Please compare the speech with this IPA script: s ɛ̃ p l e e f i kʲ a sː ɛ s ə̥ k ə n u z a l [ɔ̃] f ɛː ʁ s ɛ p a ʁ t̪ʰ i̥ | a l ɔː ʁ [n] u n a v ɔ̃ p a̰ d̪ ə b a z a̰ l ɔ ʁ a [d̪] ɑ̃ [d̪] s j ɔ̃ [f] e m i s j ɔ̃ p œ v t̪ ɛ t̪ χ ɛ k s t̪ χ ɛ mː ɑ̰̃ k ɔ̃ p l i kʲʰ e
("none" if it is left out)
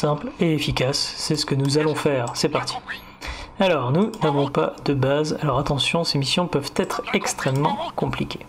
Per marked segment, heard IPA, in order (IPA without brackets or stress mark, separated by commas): ɔ̃, n, t̪, none, s